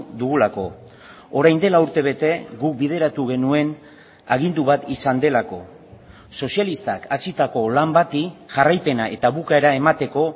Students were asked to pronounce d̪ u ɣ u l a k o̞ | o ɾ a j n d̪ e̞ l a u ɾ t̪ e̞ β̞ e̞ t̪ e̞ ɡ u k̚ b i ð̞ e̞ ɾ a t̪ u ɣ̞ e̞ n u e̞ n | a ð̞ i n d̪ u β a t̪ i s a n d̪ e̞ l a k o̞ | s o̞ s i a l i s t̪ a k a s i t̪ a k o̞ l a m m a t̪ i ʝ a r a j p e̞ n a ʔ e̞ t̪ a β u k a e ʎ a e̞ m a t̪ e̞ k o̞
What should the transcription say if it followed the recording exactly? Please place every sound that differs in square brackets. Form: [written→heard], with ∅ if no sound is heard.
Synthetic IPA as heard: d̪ u ɣ u l a k o̞ | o ɾ a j n d̪ e̞ l a u ɾ t̪ e̞ β̞ e̞ t̪ e̞ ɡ u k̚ b i ð̞ e̞ ɾ a t̪ u ɣ̞ e̞ n u e̞ n | a [ð̞→ɣ̞] i n d̪ u β a t̪ i s a n d̪ e̞ l a k o̞ | s o̞ s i a l i s t̪ a k a s i t̪ a k o̞ l a m [m→b] a t̪ i ʝ a r a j p e̞ n a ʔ e̞ t̪ a β u k a e [ʎ→ɾ] a e̞ m a t̪ e̞ k o̞